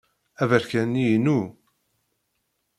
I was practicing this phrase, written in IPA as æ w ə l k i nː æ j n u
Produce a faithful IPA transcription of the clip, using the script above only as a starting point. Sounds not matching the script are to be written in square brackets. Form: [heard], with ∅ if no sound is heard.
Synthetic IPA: æ [v] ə [ɾ] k [æ] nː [i] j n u

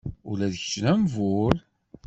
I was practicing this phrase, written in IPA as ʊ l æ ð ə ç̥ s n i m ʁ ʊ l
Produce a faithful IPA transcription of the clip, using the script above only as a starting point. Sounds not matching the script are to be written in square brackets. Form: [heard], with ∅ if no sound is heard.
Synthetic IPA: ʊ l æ ð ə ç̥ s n [æ] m [v] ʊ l

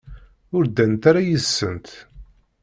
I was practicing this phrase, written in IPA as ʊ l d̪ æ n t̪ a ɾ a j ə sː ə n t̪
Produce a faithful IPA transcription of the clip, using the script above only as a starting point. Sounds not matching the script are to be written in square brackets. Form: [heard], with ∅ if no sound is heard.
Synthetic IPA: ʊ [ɾ] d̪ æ n t̪ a ɾ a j ə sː ə n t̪

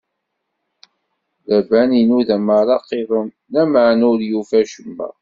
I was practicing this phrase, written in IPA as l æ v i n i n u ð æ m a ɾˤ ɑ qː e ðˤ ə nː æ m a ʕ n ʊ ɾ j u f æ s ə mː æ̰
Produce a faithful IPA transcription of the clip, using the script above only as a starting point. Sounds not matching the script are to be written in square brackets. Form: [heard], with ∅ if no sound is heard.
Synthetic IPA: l æ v [æ] n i n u ð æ m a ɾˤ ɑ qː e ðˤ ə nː æ m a ʕ n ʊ ɾ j u f æ [ʃ] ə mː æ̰

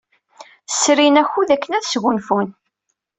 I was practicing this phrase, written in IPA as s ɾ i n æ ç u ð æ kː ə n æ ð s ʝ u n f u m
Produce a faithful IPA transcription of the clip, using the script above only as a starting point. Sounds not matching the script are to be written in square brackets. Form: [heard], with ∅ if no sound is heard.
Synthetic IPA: s ɾ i n æ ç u ð æ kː ə n æ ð s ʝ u n f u [n]

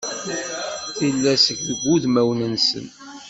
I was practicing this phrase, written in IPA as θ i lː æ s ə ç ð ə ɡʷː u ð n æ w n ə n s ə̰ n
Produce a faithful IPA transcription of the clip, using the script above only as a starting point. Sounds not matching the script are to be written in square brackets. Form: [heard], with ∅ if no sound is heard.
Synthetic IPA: θ i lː æ s ə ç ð ə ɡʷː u ð [m] æ w n ə n s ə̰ n

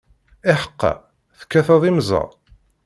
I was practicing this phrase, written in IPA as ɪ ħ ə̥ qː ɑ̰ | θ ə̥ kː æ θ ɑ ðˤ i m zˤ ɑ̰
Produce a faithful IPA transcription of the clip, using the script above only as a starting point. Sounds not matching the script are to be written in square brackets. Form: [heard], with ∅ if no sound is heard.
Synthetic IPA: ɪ ħ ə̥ qː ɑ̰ | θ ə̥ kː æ θ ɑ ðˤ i m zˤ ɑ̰

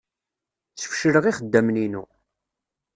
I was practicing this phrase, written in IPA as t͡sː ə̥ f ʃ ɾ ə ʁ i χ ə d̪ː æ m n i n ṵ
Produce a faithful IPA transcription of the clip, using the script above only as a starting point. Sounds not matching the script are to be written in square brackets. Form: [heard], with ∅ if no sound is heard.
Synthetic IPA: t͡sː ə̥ f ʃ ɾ ə ʁ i χ ə d̪ː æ m n i n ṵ

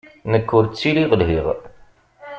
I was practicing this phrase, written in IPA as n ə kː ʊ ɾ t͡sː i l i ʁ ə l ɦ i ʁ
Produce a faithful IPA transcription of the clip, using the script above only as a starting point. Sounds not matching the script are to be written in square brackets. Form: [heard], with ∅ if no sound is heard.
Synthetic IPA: n ə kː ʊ ɾ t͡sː i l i ʁ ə l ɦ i ʁ

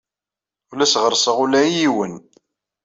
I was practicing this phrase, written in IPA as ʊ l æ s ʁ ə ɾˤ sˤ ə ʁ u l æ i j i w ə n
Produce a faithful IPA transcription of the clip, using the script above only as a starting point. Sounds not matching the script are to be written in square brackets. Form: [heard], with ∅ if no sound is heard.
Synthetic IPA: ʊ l æ s ʁ ə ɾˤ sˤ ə ʁ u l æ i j i w ə n

